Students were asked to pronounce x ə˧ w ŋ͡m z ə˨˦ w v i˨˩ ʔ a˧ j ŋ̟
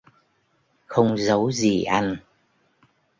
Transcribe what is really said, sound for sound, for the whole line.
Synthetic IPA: x ə˧ w ŋ͡m z ə˨˦ w z i˨˩ ʔ a˧ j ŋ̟